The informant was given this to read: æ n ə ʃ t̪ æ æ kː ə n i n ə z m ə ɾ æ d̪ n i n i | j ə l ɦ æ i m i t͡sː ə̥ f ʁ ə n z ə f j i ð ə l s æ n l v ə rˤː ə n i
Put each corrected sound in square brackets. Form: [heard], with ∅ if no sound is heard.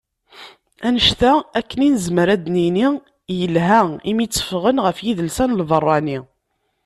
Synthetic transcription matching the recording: æ n ə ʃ t̪ æ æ kː ə n i n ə z m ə ɾ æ d̪ n i n i | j ə l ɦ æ i m i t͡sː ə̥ f ʁ ə n [ʁ] ə f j i ð ə l s æ n l v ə rˤː [ɑ] n i